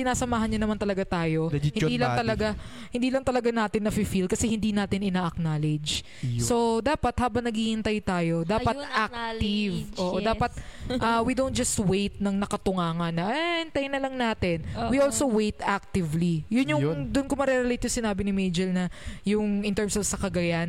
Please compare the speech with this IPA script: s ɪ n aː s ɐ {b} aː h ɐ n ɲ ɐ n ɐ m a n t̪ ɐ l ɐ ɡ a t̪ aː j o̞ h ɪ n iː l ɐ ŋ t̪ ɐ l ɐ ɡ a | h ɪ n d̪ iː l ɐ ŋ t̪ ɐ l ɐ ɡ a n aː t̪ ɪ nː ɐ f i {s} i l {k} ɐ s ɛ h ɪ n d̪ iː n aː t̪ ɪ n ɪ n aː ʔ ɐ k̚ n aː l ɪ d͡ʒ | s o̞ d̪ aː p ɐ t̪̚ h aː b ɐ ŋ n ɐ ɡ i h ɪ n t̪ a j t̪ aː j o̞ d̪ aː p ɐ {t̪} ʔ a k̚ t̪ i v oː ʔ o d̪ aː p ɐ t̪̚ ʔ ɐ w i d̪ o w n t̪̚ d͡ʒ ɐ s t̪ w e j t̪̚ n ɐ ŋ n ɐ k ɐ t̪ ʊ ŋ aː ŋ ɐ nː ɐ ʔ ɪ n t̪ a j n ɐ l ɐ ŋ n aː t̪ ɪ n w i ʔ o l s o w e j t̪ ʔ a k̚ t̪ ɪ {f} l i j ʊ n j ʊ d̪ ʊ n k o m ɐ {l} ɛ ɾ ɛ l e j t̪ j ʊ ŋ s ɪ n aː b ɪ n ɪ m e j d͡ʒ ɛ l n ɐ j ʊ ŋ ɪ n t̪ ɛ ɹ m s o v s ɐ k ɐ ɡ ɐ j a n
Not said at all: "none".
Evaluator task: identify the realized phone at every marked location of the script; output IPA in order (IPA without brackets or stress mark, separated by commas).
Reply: m, f, k, t̪, v, ɾ